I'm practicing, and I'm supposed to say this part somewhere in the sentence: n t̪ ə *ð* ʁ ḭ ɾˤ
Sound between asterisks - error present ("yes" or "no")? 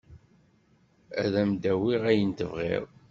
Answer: yes